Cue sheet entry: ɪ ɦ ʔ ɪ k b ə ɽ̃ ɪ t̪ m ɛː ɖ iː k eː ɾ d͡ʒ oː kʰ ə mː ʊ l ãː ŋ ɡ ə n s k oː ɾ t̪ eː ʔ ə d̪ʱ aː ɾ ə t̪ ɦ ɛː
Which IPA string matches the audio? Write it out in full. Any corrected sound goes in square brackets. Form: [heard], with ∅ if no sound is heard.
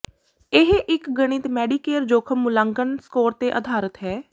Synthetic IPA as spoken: ɪ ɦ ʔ ɪ k [ɡ] ə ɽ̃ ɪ t̪ m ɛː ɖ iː k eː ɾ d͡ʒ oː kʰ ə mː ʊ l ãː ŋ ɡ ə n s k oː ɾ t̪ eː ʔ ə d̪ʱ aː ɾ ə t̪ ɦ ɛː